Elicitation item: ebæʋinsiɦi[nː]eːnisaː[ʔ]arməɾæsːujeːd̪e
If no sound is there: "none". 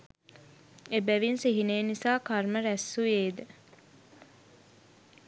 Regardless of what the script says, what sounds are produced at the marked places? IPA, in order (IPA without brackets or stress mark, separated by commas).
n, k